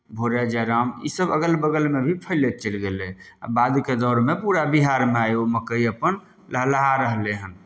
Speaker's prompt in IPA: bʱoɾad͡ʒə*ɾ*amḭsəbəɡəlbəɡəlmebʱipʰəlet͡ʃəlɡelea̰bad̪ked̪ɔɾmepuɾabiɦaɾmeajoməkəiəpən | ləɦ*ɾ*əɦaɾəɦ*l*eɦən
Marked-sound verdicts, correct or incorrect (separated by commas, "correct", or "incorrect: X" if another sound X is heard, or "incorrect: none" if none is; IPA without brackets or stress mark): correct, incorrect: l, correct